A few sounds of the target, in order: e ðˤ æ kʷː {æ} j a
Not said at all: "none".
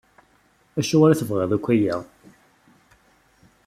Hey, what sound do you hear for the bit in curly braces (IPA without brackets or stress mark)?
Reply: æ